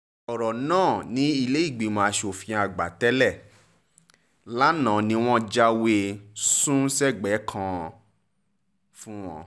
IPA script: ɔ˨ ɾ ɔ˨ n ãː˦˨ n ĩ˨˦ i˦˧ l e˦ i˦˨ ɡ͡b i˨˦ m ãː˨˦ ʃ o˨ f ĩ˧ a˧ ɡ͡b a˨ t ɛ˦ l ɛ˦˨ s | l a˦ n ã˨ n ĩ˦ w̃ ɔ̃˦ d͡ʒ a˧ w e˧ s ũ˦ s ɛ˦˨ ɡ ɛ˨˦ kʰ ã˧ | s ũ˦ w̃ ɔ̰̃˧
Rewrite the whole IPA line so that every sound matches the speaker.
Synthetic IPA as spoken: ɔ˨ ɾ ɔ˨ n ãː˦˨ n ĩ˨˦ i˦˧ l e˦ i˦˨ ɡ͡b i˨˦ m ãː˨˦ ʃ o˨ f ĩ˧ a˧ ɡ͡b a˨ t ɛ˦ l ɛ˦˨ | l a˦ n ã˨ n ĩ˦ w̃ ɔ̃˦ d͡ʒ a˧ w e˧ s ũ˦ s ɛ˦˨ ɡ͡b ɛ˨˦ kʰ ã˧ | f ũ˦ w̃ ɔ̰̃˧